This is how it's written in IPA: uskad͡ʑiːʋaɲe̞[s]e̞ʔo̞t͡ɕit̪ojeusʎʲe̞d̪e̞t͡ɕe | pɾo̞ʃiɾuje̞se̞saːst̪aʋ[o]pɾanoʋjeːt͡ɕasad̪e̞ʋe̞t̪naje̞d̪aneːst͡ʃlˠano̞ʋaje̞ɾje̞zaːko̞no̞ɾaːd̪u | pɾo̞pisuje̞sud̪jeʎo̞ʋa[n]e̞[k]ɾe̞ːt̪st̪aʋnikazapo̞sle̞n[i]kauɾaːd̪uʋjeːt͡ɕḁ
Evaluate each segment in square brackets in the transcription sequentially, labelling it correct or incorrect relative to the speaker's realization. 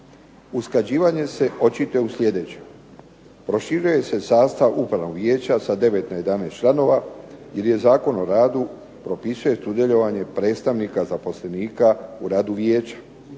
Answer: correct, incorrect: u, incorrect: ɲ, incorrect: p, incorrect: iː

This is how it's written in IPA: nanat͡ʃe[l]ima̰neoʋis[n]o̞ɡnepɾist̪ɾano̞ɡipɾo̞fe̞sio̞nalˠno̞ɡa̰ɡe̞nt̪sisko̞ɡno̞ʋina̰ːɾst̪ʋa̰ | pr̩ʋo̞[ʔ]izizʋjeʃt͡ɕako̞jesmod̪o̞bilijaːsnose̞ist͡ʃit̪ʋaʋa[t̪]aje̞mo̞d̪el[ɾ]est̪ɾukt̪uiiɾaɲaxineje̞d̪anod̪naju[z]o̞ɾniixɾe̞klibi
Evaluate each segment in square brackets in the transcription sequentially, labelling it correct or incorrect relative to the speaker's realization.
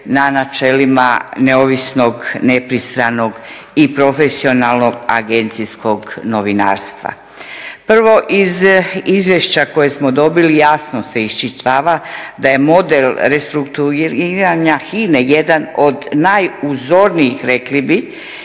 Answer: correct, correct, correct, incorrect: d̪, correct, correct

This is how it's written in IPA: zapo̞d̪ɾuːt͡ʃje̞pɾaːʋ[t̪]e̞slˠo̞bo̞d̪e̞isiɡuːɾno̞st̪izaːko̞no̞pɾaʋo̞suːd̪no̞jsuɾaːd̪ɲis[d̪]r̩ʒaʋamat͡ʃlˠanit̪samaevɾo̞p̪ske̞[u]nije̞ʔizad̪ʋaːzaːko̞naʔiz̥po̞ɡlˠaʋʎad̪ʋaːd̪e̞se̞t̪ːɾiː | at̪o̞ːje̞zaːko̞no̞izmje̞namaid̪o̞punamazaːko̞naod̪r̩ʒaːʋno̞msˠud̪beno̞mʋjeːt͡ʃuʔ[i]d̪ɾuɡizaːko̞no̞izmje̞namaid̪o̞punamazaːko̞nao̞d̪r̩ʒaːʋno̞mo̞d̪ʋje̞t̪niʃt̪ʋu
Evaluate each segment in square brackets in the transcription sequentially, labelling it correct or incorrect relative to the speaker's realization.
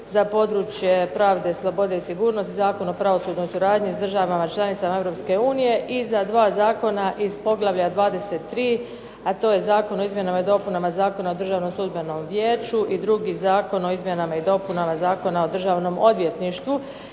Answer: incorrect: d̪, correct, incorrect: uː, correct

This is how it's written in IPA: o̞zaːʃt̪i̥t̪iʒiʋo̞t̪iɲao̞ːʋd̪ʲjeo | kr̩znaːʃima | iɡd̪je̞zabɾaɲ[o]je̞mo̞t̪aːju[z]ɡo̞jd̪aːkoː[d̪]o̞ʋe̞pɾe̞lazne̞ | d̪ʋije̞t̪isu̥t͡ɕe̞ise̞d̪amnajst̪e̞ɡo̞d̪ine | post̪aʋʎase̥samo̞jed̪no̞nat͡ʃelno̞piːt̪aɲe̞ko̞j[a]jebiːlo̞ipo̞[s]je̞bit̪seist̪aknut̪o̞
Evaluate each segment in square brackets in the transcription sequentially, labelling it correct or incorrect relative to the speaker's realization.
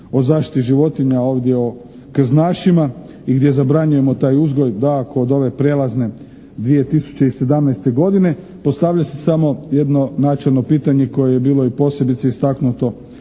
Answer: incorrect: u, correct, correct, incorrect: e, correct

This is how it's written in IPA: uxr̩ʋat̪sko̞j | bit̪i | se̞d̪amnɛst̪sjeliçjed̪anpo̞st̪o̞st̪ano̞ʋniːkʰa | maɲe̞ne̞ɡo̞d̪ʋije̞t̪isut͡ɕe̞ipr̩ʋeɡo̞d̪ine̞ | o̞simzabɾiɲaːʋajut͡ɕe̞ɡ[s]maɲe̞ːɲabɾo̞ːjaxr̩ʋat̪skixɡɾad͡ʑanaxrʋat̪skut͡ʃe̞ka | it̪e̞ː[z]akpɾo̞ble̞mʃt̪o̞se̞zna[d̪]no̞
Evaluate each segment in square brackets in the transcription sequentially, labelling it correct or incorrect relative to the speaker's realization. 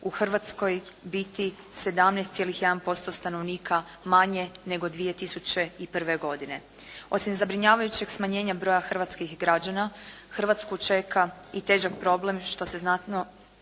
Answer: correct, incorrect: ʒ, incorrect: t̪

